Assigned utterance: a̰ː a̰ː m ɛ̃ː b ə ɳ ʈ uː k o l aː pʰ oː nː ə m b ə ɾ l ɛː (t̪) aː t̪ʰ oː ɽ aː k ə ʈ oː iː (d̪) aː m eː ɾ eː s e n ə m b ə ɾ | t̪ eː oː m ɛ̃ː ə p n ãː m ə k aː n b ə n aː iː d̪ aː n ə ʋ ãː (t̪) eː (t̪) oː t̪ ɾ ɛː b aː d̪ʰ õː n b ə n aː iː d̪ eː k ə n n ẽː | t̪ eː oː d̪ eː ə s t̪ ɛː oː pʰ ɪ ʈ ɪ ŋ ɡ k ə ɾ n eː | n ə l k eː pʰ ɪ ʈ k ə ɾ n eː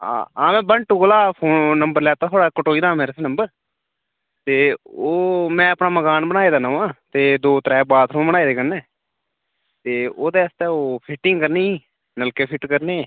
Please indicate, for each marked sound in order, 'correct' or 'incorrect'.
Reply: correct, correct, correct, incorrect: d̪

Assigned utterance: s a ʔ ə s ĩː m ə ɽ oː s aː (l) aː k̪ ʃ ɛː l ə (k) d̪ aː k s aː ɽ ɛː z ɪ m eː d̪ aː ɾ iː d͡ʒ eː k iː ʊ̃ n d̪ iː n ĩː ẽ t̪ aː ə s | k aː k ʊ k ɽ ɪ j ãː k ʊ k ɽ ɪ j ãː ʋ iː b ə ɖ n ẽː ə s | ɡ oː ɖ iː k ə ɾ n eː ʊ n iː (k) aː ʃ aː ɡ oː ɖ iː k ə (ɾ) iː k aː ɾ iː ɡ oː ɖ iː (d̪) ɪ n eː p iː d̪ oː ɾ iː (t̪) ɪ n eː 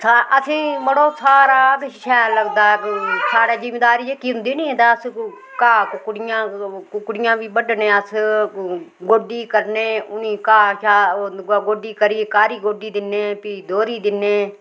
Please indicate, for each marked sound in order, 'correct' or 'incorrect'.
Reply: incorrect: ɾ, incorrect: ɡ, correct, correct, correct, incorrect: d̪

